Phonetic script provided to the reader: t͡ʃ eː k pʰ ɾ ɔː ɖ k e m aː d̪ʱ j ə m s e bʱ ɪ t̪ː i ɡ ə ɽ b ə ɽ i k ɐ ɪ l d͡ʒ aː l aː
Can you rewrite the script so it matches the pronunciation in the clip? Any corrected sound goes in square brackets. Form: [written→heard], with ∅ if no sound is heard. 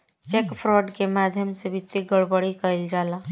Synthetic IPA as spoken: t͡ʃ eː k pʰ ɾ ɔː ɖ k e m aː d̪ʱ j ə m s e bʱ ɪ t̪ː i ɡ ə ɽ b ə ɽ i k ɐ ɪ l d͡ʒ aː l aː